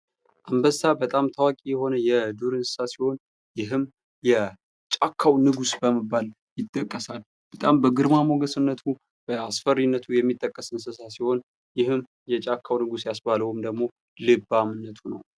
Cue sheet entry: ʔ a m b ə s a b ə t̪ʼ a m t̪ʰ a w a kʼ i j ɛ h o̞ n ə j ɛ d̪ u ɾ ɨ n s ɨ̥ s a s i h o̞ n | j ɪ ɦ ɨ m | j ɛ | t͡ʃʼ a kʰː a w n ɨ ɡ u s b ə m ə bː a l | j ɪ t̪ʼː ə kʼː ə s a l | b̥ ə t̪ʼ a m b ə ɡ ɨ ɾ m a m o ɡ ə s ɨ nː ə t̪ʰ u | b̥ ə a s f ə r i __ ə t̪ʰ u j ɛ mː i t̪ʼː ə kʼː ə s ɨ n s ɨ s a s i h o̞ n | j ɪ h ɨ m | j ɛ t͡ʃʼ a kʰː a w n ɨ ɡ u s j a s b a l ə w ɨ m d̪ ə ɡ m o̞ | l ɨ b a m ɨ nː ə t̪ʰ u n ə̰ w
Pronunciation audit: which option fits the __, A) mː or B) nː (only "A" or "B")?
B